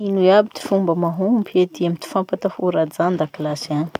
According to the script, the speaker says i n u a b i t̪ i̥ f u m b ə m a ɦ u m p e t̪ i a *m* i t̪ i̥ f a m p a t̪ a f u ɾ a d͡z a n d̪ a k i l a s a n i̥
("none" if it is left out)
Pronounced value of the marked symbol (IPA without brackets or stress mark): m